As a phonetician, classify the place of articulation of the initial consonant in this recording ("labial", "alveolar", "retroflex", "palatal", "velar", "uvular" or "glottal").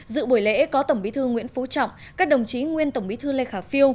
alveolar